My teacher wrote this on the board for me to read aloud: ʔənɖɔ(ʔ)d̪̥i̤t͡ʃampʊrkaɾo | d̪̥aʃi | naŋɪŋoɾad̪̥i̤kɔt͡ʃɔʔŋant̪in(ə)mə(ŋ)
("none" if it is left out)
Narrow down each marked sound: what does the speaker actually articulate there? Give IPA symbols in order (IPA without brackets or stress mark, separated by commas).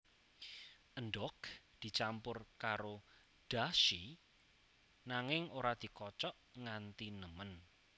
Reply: k, ə, n